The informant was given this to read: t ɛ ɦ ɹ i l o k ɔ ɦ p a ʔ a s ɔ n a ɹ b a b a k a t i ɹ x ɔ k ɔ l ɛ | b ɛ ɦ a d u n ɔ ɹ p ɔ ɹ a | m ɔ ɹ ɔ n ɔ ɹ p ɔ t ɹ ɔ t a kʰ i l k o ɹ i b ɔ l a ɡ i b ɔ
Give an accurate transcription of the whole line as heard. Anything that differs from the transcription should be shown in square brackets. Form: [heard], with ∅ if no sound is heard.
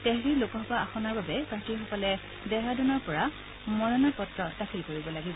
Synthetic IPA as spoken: t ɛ ɦ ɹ i l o k ɔ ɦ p a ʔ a [x] ɔ n a ɹ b a b [ɛ] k a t i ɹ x ɔ k ɔ l ɛ | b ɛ ɦ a d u n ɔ ɹ p ɔ ɹ a | m ɔ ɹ ɔ n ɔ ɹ p ɔ t ɹ ɔ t a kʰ i l k o ɹ i b ɔ l a ɡ i b ɔ